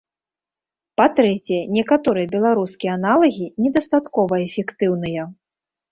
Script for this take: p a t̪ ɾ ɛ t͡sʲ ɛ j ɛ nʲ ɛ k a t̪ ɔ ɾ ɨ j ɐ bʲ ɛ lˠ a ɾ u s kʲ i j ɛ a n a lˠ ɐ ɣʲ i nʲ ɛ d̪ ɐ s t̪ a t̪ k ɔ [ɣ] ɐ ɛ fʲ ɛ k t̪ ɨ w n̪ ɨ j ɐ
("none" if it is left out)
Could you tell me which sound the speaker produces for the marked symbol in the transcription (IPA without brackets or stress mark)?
v